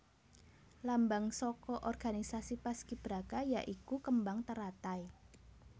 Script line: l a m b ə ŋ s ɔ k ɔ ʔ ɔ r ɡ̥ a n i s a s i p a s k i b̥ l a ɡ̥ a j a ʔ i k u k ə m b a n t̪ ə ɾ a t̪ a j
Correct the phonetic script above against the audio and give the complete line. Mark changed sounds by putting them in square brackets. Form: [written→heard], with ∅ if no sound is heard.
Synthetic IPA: l a m b [ə→a] ŋ s ɔ k ɔ ʔ ɔ r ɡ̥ a n i s a s i p a s k i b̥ [l→ɾ] a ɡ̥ a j a ʔ i k u k ə m b a [n→ŋ] t̪ ə ɾ a t̪ a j